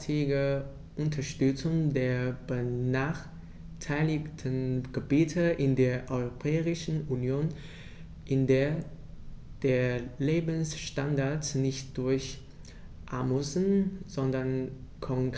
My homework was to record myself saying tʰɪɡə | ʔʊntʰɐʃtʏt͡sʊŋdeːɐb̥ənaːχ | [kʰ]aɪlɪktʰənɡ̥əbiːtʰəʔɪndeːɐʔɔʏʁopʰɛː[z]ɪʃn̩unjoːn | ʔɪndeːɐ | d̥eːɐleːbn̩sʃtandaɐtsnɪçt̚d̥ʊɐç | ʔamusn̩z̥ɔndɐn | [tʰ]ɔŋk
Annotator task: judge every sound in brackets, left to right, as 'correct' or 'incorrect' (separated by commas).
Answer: incorrect, incorrect, incorrect